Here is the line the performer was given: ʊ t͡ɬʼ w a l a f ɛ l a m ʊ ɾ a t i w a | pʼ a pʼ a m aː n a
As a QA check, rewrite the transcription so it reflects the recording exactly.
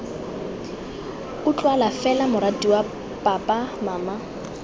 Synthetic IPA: ʊ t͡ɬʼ w a l a f ɛ l a m ʊ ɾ a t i w a | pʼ a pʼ a m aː m a

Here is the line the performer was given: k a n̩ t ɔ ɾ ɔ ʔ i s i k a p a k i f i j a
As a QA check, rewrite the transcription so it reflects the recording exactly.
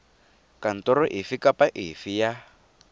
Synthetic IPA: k a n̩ t ɔ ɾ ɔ ʔ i f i k a p a ʔ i f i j a

